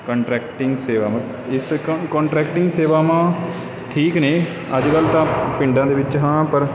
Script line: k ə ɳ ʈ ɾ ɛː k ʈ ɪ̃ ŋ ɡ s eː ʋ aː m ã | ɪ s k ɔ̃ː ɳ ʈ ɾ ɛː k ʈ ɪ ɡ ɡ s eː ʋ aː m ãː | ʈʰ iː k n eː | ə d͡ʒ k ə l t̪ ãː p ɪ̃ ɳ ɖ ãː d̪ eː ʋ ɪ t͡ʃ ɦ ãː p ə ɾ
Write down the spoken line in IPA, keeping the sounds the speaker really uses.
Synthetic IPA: k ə ɳ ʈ ɾ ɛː k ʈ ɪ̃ ŋ ɡ s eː ʋ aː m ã | ɪ s k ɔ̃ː ɳ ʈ ɾ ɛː k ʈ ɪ ŋ ɡ s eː ʋ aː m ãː | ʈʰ iː k n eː | ə d͡ʒ k ə l t̪ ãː p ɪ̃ ɳ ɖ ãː d̪ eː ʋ ɪ t͡ʃ ɦ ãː p ə ɾ